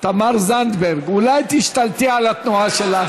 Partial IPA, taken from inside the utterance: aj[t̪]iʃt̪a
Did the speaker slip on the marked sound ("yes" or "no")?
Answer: no